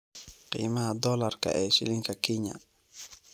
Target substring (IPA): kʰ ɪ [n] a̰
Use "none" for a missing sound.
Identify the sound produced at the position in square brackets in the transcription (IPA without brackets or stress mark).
ɲ